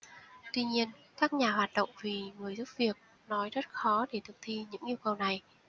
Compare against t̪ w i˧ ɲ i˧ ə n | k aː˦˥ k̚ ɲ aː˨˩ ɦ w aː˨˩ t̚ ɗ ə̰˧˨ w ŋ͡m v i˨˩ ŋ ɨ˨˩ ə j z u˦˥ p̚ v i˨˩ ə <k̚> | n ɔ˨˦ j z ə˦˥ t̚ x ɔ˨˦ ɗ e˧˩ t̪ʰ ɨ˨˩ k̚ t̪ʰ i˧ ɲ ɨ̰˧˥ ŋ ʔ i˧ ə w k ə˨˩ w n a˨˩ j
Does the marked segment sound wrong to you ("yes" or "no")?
no